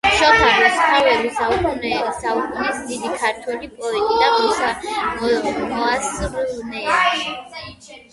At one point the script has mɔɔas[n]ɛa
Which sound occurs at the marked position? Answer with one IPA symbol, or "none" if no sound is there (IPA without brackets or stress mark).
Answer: n